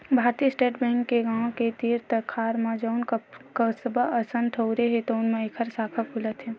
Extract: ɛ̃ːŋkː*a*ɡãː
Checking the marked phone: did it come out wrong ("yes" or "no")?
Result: yes